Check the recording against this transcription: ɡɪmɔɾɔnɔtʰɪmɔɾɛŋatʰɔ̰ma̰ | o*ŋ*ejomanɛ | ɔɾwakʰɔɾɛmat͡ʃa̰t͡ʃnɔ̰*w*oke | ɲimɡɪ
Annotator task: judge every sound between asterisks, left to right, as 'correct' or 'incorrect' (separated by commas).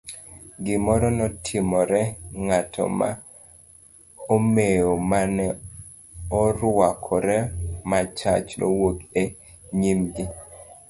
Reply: incorrect, correct